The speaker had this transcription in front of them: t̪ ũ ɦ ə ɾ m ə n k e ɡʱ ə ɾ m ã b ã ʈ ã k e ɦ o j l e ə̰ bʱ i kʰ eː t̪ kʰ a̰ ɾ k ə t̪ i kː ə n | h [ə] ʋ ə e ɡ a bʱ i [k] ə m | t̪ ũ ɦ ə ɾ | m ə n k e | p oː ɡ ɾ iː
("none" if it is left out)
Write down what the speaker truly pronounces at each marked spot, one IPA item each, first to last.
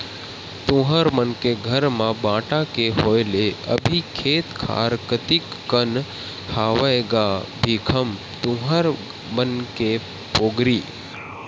a, kʰ

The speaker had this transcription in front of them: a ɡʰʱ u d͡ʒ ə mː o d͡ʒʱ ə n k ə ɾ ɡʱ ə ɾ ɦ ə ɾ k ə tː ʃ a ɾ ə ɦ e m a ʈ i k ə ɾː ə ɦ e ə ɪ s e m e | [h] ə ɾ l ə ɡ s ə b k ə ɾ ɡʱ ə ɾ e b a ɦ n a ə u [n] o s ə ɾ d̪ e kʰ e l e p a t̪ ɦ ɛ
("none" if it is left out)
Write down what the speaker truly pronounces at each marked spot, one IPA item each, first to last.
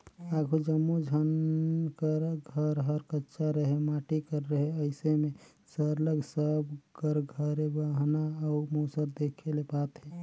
s, m

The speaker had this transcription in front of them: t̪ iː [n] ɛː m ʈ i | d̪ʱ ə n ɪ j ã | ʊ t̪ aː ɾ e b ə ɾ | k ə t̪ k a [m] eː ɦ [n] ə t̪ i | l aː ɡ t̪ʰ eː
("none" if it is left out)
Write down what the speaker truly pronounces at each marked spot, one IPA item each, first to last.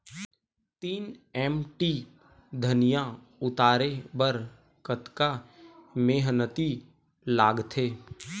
n, m, n

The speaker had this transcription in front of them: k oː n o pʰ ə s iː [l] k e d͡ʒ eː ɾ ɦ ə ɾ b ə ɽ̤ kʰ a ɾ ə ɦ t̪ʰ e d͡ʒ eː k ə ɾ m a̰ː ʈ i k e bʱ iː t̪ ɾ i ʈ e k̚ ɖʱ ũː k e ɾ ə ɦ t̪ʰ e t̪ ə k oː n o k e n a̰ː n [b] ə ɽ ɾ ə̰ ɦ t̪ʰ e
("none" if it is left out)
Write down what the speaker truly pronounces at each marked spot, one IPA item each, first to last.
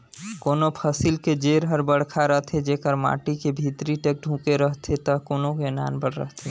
l, b

